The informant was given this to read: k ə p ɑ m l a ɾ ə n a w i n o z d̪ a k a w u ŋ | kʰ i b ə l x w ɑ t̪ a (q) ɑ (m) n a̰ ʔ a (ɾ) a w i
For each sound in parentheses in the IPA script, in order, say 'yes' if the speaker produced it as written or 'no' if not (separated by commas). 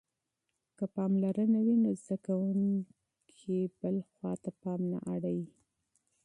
no, yes, no